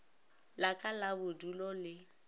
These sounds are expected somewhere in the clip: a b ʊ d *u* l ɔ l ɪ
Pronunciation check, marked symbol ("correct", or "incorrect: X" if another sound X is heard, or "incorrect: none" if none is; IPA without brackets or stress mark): correct